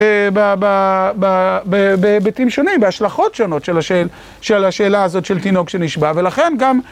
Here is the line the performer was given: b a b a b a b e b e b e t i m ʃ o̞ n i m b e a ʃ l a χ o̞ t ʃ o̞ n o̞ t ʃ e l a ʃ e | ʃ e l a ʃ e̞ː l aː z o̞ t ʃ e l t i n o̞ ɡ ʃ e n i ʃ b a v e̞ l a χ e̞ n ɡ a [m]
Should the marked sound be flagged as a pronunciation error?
no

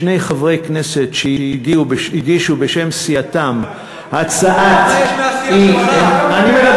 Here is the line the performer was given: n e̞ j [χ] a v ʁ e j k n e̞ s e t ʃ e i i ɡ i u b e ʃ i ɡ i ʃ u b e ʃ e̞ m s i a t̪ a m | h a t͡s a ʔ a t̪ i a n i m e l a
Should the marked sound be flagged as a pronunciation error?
no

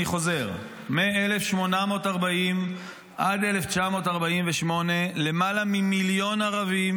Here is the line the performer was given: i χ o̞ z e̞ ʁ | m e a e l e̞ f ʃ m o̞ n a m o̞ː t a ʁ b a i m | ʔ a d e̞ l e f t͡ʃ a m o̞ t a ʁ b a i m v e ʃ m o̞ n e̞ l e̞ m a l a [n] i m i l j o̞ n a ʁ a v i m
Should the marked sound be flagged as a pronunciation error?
yes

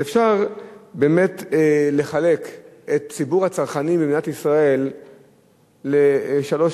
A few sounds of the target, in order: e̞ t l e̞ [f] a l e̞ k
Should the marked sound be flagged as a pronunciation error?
yes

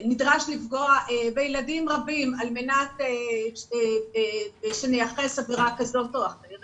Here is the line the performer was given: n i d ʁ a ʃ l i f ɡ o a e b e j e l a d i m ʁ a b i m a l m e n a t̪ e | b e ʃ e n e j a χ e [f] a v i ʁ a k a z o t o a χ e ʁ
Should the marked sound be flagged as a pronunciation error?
yes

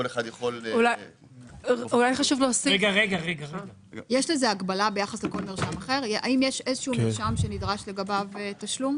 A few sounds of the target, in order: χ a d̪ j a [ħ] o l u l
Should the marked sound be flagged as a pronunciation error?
yes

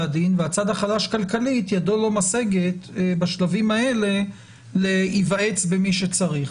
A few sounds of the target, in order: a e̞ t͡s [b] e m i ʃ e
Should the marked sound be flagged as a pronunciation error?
no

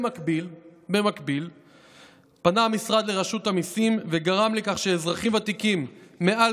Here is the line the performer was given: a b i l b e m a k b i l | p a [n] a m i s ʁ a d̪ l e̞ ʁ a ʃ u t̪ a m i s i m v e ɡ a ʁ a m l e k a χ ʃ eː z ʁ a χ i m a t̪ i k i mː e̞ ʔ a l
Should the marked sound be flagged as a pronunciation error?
no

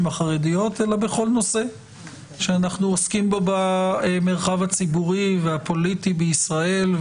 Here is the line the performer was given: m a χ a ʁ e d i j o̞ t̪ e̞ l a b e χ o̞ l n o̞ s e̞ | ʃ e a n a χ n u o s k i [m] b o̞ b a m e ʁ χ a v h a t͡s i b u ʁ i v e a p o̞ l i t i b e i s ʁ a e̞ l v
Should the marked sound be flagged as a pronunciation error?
no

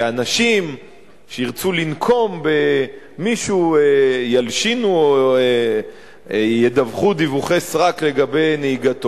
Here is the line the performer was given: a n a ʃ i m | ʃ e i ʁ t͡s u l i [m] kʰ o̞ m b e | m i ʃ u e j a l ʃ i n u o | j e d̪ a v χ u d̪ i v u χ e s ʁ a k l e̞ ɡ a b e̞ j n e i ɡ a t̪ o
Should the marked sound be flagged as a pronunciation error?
yes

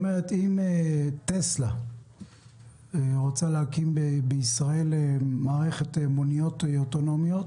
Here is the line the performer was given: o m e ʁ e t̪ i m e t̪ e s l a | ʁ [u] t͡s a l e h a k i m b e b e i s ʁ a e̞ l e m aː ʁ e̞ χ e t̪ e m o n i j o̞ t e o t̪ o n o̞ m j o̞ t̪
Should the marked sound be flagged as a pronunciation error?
yes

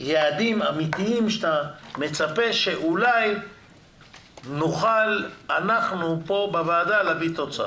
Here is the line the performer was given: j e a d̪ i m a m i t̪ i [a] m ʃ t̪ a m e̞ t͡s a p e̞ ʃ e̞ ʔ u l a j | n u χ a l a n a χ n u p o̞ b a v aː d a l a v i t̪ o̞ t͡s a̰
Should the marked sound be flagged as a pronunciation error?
yes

